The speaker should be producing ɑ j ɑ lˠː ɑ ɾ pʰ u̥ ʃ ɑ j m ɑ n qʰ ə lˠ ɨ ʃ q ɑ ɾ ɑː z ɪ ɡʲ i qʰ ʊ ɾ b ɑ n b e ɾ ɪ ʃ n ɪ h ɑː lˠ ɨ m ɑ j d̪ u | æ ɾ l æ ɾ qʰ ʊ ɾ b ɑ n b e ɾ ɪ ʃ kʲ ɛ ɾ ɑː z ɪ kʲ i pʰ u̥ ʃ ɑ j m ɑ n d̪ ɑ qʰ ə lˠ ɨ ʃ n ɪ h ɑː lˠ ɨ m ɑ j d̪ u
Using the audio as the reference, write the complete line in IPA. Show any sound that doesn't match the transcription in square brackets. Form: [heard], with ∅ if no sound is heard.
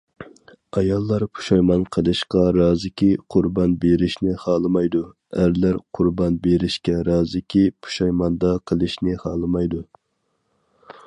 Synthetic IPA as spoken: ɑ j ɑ lˠː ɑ ɾ pʰ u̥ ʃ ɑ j m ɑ n qʰ ə lˠ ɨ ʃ q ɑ ɾ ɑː z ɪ [kʲ] i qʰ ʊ ɾ b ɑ n b e ɾ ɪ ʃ n ɪ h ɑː lˠ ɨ m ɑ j d̪ u | æ ɾ l æ ɾ qʰ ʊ ɾ b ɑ n b e ɾ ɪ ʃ kʲ ɛ ɾ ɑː z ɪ kʲ i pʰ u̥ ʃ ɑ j m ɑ n d̪ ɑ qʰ ə lˠ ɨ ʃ n ɪ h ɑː lˠ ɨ m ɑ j d̪ u